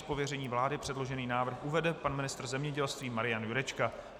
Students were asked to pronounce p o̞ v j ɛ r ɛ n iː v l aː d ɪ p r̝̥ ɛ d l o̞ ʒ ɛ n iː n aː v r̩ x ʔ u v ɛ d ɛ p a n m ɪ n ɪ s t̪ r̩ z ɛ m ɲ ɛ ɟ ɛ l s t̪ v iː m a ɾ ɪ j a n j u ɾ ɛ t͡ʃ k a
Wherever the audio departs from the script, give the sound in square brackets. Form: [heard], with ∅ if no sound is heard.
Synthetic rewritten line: p o̞ v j ɛ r ɛ [ɲ] iː v l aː d ɪ p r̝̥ ɛ d l o̞ ʒ ɛ n iː n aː v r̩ x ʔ u v ɛ d ɛ p a n m ɪ n ɪ s t̪ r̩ z ɛ m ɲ ɛ ɟ ɛ l s t̪ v iː m a ɾ ɪ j a n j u ɾ ɛ t͡ʃ k a